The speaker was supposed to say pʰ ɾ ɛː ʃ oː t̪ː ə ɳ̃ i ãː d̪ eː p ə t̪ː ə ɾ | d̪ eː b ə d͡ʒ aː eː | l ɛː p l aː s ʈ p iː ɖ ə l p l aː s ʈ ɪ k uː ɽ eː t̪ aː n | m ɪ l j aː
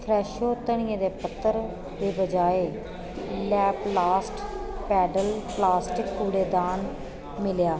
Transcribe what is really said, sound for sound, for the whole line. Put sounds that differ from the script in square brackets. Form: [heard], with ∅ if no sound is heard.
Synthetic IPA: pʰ ɾ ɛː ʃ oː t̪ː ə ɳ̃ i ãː d̪ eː p ə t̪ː ə ɾ | d̪ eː b ə d͡ʒ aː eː | l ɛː p l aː s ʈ p [ɛː] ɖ ə l p l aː s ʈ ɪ k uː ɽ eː [d̪] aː n | m ɪ l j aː